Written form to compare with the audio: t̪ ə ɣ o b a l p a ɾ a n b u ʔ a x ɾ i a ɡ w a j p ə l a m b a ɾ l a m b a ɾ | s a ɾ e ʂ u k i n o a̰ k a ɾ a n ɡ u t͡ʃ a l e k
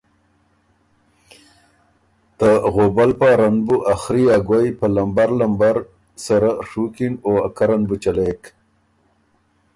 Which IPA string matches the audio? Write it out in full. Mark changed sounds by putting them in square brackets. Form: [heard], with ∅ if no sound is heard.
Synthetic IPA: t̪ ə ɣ o b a l p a ɾ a n b u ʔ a x ɾ i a ɡ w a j p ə l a m b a ɾ l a m b a ɾ | s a ɾ [a] ʂ u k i n o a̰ k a ɾ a n [b] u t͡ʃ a l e k